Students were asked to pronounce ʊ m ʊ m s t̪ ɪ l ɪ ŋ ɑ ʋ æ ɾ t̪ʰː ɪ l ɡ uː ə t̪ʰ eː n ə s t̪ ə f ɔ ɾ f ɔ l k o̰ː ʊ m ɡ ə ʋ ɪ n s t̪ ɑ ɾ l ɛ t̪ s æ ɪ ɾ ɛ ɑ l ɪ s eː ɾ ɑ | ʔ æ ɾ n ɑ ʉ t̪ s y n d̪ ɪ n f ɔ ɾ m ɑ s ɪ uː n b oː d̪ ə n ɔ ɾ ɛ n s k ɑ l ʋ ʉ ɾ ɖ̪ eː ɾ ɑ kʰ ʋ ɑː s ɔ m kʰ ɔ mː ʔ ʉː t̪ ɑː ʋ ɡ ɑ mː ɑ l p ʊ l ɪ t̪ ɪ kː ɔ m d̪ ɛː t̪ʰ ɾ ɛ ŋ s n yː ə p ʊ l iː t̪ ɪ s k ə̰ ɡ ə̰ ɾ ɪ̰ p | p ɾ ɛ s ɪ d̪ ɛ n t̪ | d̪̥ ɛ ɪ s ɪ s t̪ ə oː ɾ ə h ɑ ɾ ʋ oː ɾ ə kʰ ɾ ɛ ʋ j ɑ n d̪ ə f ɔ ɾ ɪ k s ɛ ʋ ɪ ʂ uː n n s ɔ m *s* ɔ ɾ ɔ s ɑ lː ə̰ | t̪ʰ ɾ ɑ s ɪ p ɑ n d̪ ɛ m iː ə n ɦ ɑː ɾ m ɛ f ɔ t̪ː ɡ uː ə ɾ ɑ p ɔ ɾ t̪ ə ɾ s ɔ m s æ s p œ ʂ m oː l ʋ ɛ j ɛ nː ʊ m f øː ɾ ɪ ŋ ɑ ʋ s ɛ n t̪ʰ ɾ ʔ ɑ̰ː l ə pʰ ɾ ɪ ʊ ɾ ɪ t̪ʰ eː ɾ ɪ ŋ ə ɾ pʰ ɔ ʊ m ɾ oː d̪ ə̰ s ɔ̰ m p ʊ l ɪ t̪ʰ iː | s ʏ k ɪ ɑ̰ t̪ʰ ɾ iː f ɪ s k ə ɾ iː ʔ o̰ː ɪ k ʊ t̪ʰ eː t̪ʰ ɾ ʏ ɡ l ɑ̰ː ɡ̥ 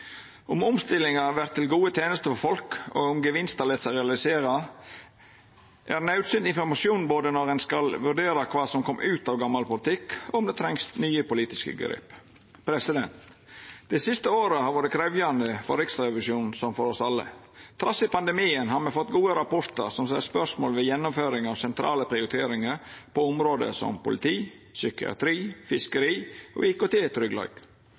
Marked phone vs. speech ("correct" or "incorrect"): incorrect